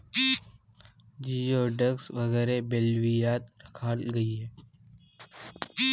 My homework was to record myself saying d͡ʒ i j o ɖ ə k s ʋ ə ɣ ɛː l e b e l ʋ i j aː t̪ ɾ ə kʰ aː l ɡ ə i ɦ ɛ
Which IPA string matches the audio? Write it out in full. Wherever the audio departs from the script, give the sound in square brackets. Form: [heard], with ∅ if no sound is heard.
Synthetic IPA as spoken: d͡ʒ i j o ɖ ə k s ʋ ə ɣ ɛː [ɾ] e b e l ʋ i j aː t̪ ɾ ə kʰ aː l ɡ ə i ɦ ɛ